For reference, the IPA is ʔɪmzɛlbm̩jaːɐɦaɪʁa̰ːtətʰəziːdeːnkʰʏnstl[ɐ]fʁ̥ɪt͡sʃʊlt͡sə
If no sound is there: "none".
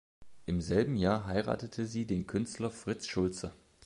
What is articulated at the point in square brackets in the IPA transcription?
ɐ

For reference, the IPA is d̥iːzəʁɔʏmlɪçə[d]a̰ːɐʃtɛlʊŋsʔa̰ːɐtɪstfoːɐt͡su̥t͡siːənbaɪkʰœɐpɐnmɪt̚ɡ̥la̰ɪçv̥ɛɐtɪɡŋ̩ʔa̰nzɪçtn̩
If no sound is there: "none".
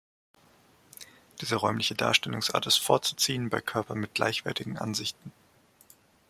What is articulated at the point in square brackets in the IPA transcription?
d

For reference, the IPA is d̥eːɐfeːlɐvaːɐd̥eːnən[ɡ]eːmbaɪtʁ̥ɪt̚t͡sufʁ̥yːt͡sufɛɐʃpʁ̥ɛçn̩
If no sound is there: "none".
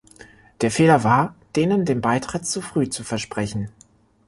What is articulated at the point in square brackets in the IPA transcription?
d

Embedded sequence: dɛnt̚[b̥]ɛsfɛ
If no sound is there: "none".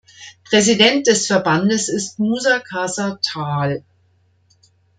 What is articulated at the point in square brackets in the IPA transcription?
d̥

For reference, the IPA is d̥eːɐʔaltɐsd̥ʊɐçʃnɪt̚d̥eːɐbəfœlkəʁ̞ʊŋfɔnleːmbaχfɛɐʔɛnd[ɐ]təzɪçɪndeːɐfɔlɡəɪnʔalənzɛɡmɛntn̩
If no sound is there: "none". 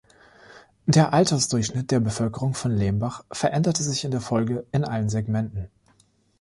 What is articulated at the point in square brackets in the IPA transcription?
ɐ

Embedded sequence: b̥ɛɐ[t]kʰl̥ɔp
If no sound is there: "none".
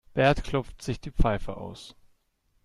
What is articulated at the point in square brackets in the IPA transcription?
t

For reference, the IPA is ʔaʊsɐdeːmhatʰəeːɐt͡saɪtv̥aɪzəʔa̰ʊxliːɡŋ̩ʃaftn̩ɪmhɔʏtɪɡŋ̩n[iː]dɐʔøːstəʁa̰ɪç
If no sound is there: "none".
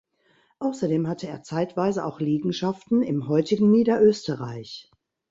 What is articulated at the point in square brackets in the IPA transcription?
iː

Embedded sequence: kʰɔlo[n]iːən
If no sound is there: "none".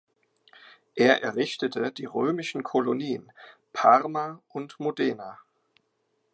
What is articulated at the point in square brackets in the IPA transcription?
n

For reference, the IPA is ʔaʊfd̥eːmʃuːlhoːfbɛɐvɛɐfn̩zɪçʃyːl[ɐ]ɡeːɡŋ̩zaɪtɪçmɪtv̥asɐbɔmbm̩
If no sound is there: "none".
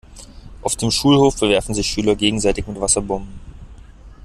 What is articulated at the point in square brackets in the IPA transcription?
ɐ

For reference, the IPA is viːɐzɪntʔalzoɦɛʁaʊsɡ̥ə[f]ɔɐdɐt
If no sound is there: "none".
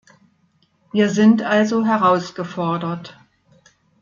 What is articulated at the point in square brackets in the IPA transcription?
f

